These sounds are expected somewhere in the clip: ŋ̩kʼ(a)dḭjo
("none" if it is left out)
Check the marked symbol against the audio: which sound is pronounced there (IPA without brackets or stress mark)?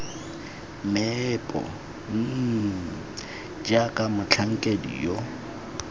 e